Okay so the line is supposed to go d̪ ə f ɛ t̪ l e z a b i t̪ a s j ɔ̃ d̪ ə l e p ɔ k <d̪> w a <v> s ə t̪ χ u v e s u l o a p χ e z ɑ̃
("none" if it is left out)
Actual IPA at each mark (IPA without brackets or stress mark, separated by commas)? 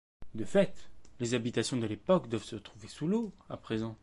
d̪, v